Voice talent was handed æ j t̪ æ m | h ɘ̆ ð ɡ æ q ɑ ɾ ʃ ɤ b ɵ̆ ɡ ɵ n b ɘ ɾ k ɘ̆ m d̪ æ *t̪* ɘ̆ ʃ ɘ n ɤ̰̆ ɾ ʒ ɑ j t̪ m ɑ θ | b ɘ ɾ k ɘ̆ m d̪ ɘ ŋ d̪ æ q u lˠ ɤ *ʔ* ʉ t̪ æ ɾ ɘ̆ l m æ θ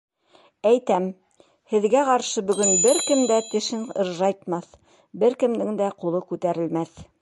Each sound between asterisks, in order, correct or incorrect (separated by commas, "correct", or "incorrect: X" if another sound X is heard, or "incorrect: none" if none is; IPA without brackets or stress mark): correct, incorrect: k